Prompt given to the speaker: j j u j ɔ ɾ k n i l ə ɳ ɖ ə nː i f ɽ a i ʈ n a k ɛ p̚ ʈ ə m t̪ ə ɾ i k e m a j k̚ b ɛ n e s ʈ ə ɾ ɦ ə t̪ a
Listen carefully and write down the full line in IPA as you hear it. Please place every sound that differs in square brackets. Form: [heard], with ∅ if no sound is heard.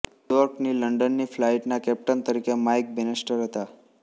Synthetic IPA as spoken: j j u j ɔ ɾ k n i l ə ɳ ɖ ə nː i f [l] a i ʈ n a k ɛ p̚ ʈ ə [n] t̪ ə ɾ i k e m a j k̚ b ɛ n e s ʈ ə ɾ ɦ ə t̪ a